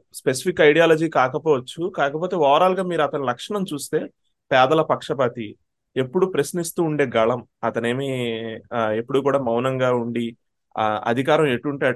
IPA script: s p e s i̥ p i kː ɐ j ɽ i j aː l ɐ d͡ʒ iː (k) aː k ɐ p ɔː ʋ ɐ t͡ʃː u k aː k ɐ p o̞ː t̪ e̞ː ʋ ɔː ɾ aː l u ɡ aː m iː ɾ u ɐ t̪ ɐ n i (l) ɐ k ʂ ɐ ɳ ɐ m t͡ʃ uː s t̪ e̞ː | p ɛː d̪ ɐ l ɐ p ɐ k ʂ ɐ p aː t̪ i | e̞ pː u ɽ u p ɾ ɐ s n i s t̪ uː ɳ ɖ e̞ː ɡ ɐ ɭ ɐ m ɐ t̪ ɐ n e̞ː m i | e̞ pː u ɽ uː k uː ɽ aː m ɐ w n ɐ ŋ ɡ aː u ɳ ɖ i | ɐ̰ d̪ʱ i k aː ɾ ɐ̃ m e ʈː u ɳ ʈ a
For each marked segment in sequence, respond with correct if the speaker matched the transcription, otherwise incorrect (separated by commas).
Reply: correct, correct